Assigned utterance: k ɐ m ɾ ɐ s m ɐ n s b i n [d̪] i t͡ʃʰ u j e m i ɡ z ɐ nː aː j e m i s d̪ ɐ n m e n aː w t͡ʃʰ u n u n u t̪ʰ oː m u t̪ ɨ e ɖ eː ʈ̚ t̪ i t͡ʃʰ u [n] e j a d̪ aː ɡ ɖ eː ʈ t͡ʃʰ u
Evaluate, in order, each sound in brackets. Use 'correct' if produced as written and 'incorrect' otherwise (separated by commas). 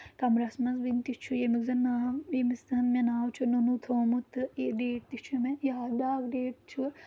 incorrect, incorrect